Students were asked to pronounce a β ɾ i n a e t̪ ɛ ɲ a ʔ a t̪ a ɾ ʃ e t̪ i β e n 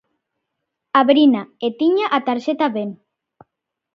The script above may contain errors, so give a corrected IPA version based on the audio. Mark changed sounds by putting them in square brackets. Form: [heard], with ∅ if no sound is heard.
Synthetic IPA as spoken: a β ɾ i n a e t̪ [i] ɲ a ʔ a t̪ a ɾ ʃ e t̪ [a] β e n